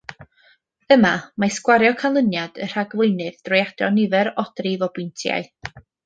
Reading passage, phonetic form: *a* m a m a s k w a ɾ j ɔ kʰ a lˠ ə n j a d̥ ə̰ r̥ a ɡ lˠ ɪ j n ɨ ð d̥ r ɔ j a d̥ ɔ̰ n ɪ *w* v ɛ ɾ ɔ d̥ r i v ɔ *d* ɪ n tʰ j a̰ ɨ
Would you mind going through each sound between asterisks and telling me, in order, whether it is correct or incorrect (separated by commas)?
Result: incorrect, incorrect, incorrect